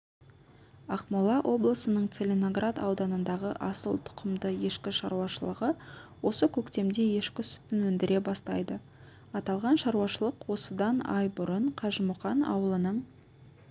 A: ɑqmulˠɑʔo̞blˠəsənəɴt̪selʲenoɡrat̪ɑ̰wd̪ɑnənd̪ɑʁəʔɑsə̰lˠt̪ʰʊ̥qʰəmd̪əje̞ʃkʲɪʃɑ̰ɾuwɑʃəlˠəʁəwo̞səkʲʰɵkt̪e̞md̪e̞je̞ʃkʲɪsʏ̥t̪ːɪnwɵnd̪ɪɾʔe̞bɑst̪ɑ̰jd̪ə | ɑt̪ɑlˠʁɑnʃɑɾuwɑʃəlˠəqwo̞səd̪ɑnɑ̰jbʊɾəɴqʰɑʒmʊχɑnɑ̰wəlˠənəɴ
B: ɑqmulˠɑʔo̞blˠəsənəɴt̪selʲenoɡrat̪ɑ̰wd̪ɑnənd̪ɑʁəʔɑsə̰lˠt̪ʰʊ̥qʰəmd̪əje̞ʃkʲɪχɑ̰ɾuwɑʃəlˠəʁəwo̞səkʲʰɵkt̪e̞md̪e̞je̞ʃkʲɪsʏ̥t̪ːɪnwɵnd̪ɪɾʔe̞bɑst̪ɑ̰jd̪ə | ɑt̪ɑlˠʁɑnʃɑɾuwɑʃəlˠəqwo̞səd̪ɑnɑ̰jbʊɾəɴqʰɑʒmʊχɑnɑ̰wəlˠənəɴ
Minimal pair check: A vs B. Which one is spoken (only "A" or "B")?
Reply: A